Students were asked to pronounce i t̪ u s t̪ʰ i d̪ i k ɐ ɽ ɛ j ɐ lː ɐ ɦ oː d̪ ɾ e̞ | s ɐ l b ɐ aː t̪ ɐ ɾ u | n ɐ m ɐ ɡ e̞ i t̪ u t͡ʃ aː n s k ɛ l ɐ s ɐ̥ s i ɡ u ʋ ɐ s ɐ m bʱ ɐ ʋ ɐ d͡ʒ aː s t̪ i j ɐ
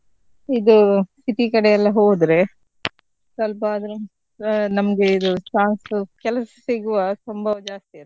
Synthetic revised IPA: i d̪ u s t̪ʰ i t̪ i k ɐ ɽ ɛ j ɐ lː ɐ ɦ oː d̪ ɾ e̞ | s ɐ l p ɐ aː d̪ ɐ ɾ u | n ɐ m ɐ ɡ e̞ i d̪ u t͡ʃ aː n s k ɛ l ɐ s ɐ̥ s i ɡ u ʋ ɐ s ɐ m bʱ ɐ ʋ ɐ d͡ʒ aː s t̪ i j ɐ